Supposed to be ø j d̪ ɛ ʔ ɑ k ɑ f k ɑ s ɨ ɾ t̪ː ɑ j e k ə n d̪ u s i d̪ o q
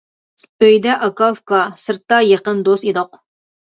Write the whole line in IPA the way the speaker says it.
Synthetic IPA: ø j d̪ ɛ ʔ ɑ k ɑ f k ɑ s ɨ ɾ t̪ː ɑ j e q ə n d̪ o s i d̪ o q